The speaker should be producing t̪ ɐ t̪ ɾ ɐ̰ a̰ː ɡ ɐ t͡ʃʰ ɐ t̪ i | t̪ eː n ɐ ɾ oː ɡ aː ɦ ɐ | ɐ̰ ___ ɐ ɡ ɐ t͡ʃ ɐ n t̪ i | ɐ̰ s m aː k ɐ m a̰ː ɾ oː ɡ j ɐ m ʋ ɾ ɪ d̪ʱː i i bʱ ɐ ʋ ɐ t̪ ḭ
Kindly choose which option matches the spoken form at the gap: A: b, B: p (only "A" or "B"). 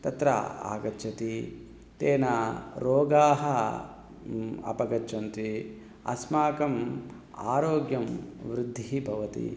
B